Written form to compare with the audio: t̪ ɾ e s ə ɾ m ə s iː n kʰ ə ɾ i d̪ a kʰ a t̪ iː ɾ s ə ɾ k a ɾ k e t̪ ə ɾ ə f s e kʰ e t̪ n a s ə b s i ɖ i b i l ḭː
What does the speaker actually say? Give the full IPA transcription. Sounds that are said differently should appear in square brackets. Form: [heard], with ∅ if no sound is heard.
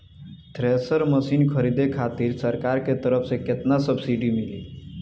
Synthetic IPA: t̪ ɾ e s ə ɾ m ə s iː n kʰ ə ɾ i d̪ [e] kʰ a t̪ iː ɾ s ə ɾ k a ɾ k e t̪ ə ɾ ə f s e [k] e t̪ n a s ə b s i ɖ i [m] i l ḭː

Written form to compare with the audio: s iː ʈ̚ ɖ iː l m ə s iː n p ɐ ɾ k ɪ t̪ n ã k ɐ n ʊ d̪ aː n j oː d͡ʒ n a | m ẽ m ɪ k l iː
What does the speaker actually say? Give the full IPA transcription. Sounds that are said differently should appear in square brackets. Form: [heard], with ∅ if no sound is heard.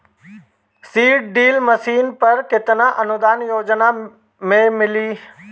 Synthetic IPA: s iː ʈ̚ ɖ iː l m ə s iː n p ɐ ɾ k ɪ t̪ n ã [ʔ] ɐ n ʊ d̪ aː n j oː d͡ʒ n a | m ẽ m ɪ [∅] l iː

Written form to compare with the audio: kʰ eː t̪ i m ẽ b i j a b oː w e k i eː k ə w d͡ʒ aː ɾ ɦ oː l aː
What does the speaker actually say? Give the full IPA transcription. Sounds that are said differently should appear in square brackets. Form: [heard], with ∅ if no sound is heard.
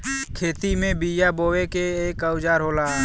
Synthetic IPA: kʰ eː t̪ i m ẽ b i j a b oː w e k [e] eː k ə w d͡ʒ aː ɾ ɦ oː l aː

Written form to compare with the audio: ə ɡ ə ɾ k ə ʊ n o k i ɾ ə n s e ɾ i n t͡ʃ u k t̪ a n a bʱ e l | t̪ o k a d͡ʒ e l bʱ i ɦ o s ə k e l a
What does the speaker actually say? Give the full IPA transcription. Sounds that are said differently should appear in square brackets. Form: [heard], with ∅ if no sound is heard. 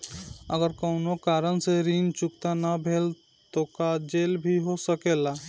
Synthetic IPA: ə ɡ ə ɾ k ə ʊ n o k [a] ɾ ə n s e ɾ i n t͡ʃ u k t̪ a n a bʱ e l | t̪ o k a d͡ʒ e l bʱ i ɦ o s ə k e l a

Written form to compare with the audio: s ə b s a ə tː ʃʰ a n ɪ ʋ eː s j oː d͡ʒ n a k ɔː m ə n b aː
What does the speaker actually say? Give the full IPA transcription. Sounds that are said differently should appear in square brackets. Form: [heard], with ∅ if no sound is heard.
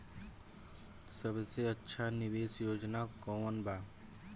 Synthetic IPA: s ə b s [e] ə tː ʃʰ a n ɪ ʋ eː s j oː d͡ʒ n a k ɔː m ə n b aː

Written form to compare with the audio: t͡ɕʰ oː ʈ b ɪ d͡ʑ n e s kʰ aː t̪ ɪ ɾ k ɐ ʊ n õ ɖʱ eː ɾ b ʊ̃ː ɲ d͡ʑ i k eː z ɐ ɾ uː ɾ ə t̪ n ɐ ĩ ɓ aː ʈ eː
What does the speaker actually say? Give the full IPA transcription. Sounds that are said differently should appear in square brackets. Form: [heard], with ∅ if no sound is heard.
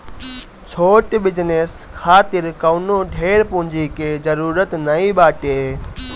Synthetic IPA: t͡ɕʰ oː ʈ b ɪ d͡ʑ n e s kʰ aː t̪ ɪ ɾ k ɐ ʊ n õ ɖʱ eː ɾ [p] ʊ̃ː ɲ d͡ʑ i k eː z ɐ ɾ uː ɾ ə t̪ n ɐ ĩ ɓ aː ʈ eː

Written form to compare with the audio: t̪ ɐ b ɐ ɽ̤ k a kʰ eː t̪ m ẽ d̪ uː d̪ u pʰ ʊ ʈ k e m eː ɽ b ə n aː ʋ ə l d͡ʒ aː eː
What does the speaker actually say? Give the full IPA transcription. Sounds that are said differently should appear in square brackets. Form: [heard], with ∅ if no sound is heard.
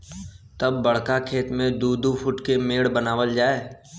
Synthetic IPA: t̪ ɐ [bː] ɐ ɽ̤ k a kʰ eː t̪ m ẽ d̪ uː d̪ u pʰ ʊ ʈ k e m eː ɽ b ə n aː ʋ ə l d͡ʒ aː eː

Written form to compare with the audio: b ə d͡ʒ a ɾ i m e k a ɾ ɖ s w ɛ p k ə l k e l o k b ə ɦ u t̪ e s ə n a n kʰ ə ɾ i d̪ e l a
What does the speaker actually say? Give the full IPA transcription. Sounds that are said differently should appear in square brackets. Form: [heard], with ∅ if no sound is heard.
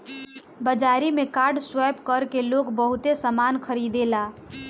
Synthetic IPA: b ə d͡ʒ a ɾ i m e k a ɾ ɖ s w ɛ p k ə [ɾ] k e l o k b ə ɦ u t̪ e s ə [m] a n kʰ ə ɾ i d̪ e l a

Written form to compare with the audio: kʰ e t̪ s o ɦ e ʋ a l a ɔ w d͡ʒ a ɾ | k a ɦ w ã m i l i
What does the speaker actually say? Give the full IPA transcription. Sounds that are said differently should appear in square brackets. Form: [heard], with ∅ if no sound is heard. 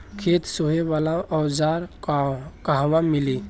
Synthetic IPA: kʰ e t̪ s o ɦ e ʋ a l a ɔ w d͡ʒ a ɾ | k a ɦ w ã m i l i

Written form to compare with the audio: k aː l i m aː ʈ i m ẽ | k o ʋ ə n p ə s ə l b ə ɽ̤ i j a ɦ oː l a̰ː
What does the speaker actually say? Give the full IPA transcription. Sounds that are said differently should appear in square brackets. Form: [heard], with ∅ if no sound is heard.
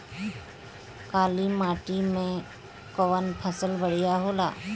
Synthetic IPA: k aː l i m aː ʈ i m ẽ | k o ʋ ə n [pʰ] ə s ə l b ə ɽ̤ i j a ɦ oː l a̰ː

